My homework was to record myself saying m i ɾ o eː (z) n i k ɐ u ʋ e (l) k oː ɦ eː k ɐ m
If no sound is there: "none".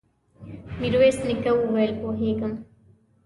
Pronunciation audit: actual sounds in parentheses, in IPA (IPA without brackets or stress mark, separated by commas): s, l